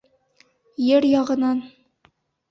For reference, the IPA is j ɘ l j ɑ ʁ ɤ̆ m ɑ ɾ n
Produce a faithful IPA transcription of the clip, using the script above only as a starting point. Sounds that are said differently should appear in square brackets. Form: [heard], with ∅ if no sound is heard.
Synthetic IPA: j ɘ [ɾ] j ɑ ʁ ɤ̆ [n] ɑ [∅] n